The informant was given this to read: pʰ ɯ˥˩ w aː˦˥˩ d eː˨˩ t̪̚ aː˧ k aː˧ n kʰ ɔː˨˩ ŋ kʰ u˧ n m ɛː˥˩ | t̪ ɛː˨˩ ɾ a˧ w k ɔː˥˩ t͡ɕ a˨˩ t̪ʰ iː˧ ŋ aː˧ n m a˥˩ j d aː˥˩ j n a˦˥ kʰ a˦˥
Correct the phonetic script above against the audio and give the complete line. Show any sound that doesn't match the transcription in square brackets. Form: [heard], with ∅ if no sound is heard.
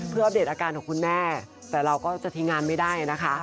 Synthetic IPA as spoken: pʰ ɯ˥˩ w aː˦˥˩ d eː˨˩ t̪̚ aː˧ k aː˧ n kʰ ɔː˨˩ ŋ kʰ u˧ n m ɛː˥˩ | t̪ ɛː˨˩ ɾ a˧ w k ɔː˥˩ t͡ɕ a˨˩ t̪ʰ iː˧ ŋ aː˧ n m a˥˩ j d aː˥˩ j n a˦˥ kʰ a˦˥